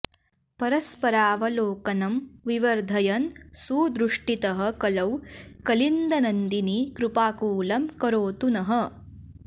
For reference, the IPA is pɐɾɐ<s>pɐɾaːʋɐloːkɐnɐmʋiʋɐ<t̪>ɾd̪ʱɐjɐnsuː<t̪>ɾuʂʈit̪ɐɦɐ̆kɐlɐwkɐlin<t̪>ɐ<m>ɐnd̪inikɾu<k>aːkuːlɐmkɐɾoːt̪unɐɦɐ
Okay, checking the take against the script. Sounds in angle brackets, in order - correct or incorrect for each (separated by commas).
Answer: correct, incorrect, incorrect, incorrect, incorrect, incorrect